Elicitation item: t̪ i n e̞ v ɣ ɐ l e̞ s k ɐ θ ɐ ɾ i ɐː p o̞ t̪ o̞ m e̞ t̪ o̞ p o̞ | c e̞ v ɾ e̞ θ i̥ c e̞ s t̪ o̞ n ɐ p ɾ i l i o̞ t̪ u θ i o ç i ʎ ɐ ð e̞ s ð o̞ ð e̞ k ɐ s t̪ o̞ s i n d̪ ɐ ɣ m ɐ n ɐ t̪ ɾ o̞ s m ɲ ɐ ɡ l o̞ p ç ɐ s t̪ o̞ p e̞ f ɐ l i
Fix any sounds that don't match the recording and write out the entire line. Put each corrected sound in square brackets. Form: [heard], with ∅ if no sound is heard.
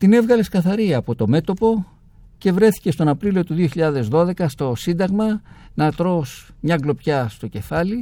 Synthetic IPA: t̪ i n e̞ v ɣ ɐ l e̞ s k ɐ θ ɐ ɾ i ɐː p o̞ t̪ o̞ m e̞ t̪ o̞ p o̞ | c e̞ v ɾ e̞ θ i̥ c e̞ s t̪ o̞ n ɐ p ɾ i l i o̞ t̪ u [ð] i o ç i ʎ ɐ ð e̞ [z] ð o̞ ð e̞ k ɐ s t̪ o̞ s i n d̪ ɐ ɣ m ɐ n ɐ t̪ ɾ o̞ s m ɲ ɐ ɡ l o̞ p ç ɐ s t̪ o̞ [c] e̞ f ɐ l i